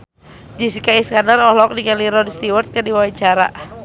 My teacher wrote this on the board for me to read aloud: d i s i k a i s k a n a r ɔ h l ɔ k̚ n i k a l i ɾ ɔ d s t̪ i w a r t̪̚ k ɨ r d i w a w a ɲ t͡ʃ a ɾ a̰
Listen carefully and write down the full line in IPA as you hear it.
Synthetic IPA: d͡ʒ i s i k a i s k a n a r ɔ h l ɔ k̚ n i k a l i ɾ ɔ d s t̪ i w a r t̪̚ k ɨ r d i w a w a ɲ t͡ʃ a ɾ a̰